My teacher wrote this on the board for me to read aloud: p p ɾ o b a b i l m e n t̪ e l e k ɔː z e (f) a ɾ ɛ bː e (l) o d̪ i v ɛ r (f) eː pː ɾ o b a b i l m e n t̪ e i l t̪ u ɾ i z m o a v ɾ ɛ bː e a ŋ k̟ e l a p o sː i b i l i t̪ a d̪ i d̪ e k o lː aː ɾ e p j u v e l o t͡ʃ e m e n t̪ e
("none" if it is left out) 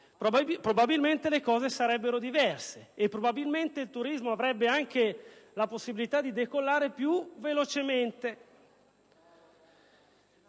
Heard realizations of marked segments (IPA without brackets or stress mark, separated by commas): s, ɾ, s